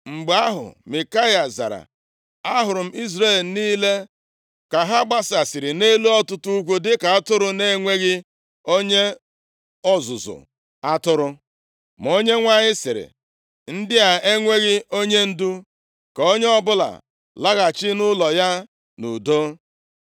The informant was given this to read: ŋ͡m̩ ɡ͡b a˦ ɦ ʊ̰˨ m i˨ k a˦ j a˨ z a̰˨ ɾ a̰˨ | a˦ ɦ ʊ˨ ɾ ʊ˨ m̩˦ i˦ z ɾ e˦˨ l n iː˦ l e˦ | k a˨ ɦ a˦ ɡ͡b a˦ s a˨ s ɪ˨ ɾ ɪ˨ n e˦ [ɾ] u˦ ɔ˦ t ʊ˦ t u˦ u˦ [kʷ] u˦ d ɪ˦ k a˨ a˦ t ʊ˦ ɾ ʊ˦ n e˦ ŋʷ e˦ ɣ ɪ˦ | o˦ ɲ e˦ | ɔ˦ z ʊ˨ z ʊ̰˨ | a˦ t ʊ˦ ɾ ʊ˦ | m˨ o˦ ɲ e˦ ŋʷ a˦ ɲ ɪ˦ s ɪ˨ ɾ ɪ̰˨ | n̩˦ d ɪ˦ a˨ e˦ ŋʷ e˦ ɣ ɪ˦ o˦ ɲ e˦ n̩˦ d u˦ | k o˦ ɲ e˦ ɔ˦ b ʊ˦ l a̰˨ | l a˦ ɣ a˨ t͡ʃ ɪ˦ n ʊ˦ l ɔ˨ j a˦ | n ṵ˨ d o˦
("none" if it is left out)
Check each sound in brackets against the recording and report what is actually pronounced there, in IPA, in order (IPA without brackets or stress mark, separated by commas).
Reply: l, kʷ